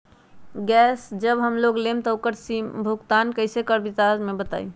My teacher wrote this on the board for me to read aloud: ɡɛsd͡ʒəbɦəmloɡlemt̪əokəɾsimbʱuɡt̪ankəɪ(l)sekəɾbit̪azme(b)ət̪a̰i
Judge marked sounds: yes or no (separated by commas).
no, yes